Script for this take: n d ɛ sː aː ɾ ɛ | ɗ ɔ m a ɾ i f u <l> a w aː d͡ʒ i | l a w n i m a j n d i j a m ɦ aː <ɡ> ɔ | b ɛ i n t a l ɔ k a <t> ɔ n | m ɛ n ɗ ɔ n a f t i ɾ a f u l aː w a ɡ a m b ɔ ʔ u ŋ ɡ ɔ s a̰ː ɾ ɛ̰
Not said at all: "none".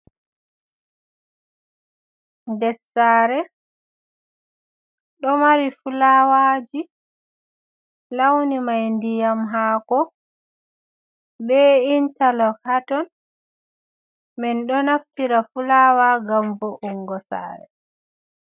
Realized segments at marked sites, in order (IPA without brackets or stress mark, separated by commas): l, k, t